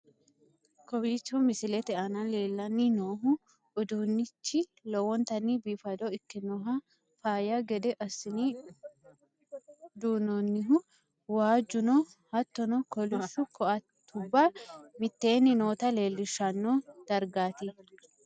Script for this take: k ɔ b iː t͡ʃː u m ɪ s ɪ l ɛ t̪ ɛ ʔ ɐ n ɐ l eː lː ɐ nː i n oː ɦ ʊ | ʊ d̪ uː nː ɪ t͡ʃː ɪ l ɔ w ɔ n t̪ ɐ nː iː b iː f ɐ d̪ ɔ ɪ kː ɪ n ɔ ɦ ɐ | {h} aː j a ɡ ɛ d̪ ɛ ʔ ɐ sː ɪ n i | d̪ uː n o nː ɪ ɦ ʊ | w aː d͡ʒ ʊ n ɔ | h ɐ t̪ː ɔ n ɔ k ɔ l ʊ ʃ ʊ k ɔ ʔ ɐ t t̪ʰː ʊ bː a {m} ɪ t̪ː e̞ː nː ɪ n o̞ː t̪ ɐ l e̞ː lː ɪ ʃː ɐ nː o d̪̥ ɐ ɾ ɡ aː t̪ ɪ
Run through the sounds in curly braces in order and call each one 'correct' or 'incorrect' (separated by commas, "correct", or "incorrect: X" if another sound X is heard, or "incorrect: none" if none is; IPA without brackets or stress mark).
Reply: incorrect: f, correct